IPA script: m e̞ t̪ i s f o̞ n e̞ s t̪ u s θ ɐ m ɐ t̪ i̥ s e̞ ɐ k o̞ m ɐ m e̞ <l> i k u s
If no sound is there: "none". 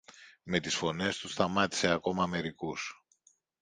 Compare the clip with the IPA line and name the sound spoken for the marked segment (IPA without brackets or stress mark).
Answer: ɾ